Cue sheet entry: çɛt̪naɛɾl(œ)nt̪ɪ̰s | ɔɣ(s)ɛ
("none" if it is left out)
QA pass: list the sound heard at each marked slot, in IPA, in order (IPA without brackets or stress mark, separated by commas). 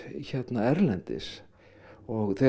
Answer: ɛ, θ